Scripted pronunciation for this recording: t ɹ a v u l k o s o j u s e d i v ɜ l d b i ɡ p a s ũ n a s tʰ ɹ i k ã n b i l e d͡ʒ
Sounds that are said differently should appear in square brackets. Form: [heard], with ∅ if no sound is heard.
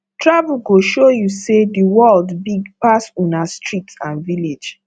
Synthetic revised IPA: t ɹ a v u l [ɡ] o [ʃ] o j u s e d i [w] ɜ l d b i ɡ p a s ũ n a s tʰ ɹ i [t] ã n [v] i l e d͡ʒ